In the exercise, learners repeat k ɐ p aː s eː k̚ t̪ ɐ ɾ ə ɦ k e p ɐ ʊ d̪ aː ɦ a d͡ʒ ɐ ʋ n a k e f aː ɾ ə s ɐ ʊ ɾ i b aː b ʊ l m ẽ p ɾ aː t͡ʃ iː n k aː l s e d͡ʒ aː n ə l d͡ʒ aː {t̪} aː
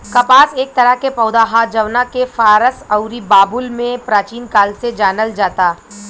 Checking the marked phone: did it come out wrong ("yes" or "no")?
no